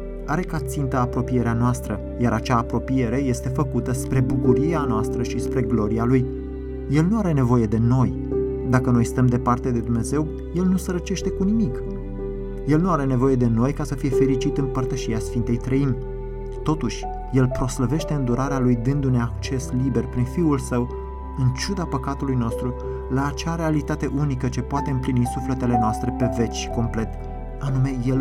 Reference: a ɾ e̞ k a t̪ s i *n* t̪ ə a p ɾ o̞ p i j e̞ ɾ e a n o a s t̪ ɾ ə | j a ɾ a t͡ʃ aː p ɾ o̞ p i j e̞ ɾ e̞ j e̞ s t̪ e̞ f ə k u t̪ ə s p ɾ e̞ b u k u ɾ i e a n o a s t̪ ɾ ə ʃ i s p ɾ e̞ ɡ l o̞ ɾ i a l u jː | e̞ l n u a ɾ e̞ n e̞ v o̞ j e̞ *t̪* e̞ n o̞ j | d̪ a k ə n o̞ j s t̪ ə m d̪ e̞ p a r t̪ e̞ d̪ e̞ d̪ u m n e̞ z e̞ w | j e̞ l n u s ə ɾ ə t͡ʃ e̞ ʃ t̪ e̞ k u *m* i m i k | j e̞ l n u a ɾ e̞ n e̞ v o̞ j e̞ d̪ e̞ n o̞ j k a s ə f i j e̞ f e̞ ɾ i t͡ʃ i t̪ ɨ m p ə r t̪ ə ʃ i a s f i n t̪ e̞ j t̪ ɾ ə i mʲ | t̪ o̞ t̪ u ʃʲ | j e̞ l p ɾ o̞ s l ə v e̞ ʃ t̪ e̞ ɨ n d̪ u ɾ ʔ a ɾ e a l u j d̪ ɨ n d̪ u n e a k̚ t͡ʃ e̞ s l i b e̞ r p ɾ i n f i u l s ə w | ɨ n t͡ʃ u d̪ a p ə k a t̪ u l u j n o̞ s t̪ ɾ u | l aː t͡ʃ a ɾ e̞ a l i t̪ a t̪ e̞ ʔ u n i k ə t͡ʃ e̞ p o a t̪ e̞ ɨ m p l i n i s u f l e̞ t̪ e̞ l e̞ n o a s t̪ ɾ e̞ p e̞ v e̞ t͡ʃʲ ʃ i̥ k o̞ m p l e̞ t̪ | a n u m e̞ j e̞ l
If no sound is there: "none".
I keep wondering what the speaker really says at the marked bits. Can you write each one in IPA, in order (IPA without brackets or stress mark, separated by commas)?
n, d̪, n